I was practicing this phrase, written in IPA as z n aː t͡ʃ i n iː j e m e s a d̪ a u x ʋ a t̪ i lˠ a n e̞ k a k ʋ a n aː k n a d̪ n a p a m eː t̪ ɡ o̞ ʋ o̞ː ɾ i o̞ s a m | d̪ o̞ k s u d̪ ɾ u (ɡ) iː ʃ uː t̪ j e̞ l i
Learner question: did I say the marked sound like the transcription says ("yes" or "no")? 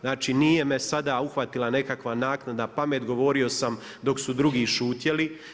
yes